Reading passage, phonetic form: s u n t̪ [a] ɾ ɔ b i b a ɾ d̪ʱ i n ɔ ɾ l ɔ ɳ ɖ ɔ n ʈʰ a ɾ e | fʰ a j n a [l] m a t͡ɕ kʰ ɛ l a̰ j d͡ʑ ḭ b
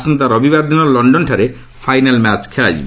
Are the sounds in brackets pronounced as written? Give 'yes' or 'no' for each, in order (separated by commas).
yes, yes